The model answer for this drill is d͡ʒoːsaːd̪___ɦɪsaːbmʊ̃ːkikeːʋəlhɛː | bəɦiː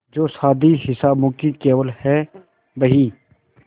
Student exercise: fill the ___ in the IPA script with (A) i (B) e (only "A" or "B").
A